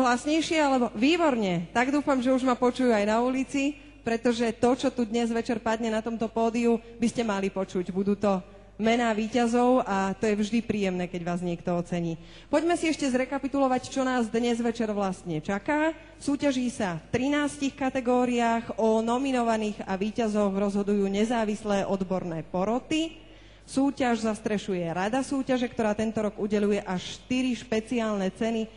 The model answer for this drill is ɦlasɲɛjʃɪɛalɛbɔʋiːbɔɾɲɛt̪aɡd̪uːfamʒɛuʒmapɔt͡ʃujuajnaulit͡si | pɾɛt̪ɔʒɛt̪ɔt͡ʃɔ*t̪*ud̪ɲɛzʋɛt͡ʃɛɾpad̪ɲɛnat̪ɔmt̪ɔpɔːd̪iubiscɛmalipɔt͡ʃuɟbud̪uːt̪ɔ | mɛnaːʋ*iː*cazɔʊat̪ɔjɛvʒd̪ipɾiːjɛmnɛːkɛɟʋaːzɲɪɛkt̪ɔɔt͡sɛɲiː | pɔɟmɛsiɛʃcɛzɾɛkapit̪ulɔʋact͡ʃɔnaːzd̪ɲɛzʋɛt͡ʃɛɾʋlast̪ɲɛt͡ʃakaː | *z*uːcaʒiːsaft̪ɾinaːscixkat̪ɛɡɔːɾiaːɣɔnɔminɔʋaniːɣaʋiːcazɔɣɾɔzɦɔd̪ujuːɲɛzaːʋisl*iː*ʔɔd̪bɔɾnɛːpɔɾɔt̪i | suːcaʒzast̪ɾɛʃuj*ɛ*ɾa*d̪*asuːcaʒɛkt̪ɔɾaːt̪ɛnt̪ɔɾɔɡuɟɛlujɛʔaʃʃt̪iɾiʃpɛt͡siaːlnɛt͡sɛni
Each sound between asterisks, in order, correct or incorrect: correct, correct, incorrect, incorrect, correct, correct

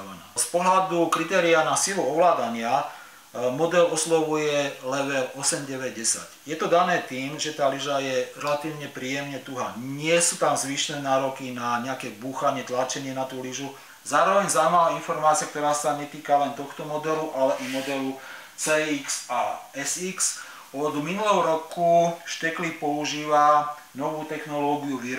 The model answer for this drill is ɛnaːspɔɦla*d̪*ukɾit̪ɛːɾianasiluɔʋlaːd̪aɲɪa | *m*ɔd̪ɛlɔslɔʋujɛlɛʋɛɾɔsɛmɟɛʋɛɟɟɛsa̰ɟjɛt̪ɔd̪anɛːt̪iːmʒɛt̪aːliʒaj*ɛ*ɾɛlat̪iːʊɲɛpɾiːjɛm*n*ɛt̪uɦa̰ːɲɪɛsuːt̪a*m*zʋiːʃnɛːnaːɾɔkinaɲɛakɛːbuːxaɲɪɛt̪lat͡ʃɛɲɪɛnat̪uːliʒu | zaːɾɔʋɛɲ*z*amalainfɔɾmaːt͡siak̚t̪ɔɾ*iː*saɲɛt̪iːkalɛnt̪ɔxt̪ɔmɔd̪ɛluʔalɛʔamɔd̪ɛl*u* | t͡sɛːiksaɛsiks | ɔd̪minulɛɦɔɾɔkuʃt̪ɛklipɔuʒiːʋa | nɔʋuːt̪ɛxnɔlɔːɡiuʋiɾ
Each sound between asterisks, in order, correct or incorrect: correct, correct, correct, incorrect, correct, correct, incorrect, correct

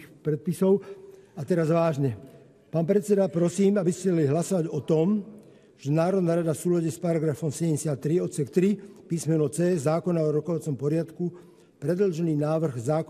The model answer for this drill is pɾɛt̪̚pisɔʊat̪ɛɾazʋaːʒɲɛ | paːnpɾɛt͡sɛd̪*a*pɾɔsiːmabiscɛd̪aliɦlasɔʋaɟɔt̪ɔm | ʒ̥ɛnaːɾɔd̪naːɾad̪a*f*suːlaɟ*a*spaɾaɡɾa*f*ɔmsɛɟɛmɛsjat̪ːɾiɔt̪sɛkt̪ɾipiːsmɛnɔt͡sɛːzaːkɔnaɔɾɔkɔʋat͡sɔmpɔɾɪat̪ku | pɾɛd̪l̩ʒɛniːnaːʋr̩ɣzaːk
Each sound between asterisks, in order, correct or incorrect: correct, correct, incorrect, correct

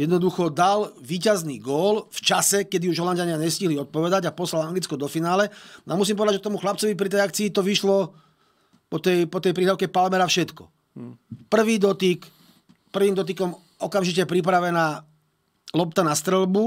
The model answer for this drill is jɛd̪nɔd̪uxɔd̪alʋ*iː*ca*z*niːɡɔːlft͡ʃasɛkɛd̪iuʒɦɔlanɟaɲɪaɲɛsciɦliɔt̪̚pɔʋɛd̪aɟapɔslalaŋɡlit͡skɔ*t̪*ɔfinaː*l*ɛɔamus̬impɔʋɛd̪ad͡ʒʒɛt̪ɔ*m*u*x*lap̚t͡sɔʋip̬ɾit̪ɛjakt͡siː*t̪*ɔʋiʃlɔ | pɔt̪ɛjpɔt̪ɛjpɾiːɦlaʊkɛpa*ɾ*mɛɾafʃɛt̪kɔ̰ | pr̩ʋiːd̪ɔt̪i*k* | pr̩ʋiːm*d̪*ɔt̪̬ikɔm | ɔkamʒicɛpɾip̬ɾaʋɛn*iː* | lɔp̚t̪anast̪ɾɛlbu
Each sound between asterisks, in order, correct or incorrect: correct, correct, incorrect, correct, correct, correct, correct, incorrect, correct, correct, incorrect

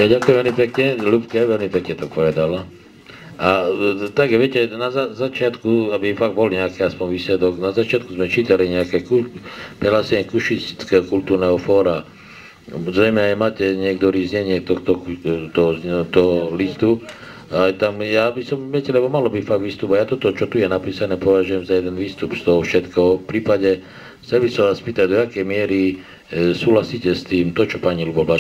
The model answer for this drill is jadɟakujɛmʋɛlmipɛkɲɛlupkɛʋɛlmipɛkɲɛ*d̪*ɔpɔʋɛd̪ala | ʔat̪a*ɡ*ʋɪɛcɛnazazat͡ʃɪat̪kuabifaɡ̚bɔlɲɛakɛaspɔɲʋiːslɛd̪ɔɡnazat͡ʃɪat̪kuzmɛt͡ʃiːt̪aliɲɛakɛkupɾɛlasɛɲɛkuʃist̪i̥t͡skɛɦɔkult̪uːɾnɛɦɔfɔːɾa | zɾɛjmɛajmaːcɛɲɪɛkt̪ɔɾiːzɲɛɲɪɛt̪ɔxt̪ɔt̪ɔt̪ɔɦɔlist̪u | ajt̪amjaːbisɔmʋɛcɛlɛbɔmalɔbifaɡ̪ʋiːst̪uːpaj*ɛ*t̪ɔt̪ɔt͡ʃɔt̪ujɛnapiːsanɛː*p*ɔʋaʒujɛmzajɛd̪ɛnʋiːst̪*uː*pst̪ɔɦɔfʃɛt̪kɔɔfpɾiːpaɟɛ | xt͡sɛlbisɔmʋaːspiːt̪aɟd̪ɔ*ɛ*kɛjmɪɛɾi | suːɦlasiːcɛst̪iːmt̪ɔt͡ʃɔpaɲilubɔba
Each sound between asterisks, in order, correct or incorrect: incorrect, correct, incorrect, correct, incorrect, incorrect

